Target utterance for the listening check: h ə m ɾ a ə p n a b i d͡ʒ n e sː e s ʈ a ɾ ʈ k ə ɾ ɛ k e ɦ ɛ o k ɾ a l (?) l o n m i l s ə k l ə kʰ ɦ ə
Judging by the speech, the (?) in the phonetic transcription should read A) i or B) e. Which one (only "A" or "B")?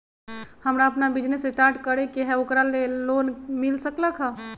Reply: B